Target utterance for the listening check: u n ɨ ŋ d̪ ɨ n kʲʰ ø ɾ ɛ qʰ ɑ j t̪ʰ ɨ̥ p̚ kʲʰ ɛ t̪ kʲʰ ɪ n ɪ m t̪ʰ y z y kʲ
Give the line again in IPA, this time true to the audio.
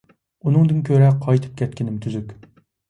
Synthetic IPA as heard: u n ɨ ŋ d̪ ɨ n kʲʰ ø ɾ ɛ qʰ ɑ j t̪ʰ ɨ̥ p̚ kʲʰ ɛ t̪ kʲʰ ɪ n ɪ m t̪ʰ y z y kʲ